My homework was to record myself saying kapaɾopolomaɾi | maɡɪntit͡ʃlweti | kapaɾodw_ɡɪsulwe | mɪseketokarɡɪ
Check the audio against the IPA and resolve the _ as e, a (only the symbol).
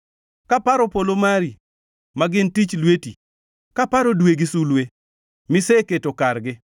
e